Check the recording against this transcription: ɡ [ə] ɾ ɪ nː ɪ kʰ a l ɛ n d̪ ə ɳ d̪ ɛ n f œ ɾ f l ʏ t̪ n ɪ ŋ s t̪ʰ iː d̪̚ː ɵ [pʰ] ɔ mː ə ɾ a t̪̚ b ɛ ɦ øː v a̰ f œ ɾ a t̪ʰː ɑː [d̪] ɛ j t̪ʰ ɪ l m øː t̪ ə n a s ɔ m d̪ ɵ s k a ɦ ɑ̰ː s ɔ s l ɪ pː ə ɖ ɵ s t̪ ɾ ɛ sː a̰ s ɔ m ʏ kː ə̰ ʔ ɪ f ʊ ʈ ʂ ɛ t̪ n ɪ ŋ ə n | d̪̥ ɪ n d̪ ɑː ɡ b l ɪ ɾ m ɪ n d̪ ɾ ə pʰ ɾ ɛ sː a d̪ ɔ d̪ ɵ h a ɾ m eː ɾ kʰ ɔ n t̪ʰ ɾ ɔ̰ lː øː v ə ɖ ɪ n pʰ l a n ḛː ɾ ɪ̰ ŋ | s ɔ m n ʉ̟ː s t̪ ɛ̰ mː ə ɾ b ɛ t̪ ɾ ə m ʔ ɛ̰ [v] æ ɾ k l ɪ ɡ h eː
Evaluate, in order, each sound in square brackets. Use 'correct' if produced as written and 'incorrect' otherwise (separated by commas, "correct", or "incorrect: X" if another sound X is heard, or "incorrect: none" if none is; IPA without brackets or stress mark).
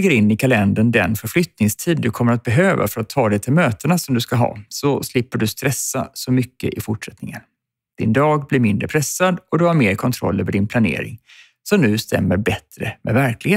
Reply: correct, incorrect: kʰ, correct, correct